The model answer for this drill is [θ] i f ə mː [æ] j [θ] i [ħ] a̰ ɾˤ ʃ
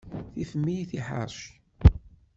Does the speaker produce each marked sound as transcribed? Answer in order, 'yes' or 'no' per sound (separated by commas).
yes, no, yes, yes